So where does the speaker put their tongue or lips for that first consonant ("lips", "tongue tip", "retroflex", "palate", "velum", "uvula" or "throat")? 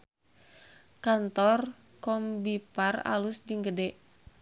velum